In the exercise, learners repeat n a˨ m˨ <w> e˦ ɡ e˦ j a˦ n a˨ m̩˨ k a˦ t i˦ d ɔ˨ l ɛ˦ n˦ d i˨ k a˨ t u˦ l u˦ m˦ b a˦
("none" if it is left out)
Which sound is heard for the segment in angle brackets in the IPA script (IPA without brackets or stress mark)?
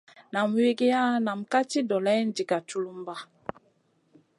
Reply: w